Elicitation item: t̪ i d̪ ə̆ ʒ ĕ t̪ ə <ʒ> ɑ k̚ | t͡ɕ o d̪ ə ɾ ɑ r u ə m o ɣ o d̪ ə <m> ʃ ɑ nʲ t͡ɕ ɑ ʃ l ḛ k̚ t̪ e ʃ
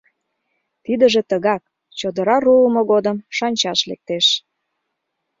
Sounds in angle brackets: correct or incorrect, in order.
incorrect, correct

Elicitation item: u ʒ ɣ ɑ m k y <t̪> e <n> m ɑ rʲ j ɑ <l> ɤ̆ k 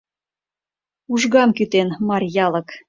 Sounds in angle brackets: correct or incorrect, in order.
correct, correct, correct

